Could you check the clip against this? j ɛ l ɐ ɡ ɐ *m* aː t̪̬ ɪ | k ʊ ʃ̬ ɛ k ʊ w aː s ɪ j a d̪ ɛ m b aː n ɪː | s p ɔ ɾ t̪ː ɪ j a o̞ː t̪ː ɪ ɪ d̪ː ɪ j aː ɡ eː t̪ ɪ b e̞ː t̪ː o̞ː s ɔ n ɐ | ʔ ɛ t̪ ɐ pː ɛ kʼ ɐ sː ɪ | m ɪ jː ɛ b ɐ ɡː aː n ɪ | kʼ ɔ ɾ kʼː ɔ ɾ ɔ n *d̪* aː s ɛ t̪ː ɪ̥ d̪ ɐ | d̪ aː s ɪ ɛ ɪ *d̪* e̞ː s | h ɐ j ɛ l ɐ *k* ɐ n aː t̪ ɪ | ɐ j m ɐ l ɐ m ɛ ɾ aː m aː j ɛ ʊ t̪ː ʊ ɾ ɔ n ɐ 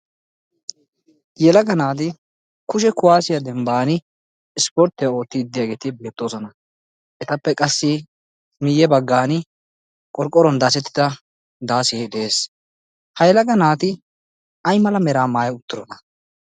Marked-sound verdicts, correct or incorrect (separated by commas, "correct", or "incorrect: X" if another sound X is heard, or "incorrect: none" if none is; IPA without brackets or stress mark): incorrect: n, correct, correct, incorrect: ɡ